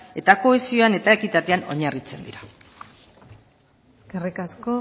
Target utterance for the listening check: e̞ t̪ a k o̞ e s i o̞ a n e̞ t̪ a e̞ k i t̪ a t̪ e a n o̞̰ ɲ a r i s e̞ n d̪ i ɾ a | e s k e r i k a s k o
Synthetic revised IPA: e̞ t̪ a k o̞ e s i o̞ a n e̞ t̪ a e̞ k i t̪ a t̪ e a n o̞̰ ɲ a r i t͡s e̞ n d̪ i ɾ a | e s k e r i k a s k o